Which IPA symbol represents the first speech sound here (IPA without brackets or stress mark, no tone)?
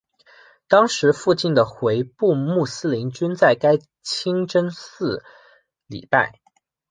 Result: t̪